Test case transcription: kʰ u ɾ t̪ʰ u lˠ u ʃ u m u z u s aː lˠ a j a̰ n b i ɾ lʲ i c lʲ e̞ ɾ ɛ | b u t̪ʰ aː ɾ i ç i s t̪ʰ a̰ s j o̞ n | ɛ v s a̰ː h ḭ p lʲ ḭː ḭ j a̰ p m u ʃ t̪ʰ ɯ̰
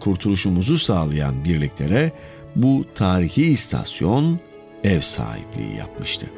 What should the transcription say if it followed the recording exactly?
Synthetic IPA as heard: kʰ u ɾ t̪ʰ u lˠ u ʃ u m u z u s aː lˠ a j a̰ n b i ɾ lʲ i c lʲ e̞ ɾ ɛ | b u t̪ʰ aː ɾ i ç i s t̪ʰ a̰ s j o̞ n | ɛ v s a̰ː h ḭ p lʲ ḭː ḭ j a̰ p m ɯ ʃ t̪ʰ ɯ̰